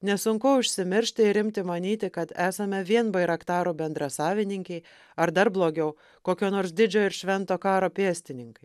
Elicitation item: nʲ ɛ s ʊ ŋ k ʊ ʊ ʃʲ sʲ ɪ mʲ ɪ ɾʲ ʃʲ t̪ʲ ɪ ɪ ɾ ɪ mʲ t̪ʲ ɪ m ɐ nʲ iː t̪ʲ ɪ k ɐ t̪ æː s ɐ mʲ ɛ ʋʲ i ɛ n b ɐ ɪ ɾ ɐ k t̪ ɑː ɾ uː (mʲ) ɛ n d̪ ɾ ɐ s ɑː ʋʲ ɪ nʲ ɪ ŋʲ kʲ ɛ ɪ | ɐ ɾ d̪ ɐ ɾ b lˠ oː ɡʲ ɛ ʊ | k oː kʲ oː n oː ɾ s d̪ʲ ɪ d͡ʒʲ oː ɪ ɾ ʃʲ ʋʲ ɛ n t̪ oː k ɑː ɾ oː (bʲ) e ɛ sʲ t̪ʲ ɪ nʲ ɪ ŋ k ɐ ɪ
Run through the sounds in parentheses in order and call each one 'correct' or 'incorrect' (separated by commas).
incorrect, incorrect